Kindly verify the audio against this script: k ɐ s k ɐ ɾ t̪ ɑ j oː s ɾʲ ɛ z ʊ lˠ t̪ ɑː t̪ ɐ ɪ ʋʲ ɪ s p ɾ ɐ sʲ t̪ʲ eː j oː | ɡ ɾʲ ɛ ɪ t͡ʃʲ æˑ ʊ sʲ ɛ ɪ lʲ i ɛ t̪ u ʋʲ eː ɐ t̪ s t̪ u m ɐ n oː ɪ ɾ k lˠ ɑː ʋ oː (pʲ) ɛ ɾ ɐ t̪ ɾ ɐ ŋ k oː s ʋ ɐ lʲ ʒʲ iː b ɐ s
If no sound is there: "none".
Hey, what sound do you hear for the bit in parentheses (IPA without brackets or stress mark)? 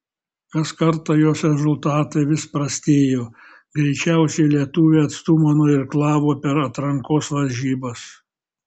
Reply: pʲ